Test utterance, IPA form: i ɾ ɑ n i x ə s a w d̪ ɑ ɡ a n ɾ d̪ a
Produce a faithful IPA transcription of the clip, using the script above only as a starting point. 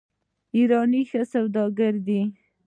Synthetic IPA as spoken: i ɾ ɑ n i x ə s a w d̪ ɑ ɡ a ɾ d̪ i

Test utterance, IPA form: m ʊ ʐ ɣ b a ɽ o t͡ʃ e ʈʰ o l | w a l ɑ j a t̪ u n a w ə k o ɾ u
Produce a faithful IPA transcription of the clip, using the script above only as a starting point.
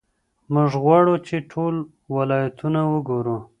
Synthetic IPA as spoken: m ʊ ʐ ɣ w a ɽ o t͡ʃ e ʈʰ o l | w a l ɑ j a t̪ u n a w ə ɡ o ɾ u

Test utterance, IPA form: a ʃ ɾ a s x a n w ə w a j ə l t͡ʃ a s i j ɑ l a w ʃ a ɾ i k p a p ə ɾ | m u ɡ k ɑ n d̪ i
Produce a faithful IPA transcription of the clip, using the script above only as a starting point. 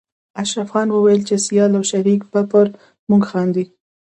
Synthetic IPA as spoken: a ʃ ɾ a f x ɑ n w ə w a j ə l t͡ʃ e s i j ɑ l a w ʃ a ɾ i k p a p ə ɾ | m u ɡ x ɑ n d̪ i

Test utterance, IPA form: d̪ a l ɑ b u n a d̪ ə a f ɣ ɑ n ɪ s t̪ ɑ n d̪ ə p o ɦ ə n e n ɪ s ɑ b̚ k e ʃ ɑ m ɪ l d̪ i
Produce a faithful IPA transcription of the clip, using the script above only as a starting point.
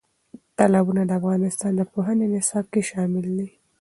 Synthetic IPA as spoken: t̪ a l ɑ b u n a d̪ ə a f ɣ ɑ n ɪ s t̪ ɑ n d̪ ə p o ɦ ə n e n ɪ s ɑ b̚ k e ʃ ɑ m ɪ l d̪ i

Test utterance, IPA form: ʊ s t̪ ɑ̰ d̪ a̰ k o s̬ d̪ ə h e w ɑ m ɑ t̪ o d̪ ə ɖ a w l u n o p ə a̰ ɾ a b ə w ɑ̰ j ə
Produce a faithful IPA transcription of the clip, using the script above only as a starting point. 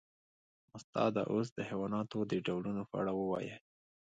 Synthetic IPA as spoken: ʊ s t̪ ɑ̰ d̪ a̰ ʔ o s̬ d̪ ə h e w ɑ n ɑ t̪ o d̪ ə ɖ a w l u n o p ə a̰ ɽ a w ə w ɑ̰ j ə

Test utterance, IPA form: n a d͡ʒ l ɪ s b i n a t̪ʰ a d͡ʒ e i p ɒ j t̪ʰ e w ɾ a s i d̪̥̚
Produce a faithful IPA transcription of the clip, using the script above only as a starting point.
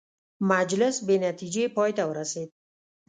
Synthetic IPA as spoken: m a d͡ʒ l ɪ s b e n a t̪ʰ i d͡ʒ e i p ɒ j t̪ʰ a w ɾ a s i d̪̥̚

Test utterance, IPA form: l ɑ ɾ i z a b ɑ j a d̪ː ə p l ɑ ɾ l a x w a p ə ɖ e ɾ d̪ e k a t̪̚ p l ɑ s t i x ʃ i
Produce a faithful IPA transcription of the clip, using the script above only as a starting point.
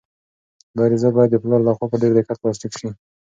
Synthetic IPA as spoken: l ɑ ɾ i z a b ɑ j a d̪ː ə p l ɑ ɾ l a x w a p ə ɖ e ɾ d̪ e k a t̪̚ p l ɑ s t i k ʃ i

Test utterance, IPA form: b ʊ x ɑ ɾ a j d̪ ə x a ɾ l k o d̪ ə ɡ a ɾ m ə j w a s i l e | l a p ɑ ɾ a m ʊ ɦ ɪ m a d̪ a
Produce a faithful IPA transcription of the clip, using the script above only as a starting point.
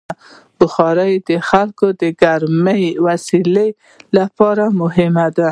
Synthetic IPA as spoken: b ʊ x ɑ ɾ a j d̪ ə x a l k o d̪ ə ɡ a ɾ m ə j w a s i l e | l a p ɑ ɾ a m ʊ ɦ ɪ m a d̪ a

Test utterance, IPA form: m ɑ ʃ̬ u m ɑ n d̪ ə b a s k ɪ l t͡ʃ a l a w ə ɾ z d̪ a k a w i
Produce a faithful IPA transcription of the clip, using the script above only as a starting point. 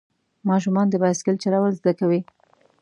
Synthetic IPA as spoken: m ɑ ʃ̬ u m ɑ n d̪ ə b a s k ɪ l t͡ʃ a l a w ə l z d̪ a k a w i

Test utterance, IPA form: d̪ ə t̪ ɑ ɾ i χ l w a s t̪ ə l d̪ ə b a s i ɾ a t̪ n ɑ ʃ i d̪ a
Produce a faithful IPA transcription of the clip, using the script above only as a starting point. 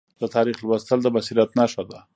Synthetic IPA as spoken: d̪ ə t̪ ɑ ɾ i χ l w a s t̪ ə l d̪ ə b a s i ɾ a t̪ n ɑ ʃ a d̪ a

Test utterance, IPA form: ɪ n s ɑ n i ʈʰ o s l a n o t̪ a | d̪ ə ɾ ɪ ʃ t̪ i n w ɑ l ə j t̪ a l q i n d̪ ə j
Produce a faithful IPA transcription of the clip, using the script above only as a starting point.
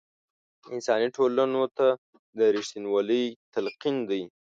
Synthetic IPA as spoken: ɪ n s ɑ n i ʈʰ o l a n o t̪ a | d̪ ə ɾ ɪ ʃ t̪ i n w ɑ l ə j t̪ a l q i n d̪ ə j

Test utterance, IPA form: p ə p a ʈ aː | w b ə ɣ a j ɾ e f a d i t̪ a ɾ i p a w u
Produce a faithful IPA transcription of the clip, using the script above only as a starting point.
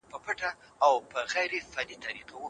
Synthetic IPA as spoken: p ə p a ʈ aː | w p ə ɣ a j ɾ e f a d i t̪ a ɾ i q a w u

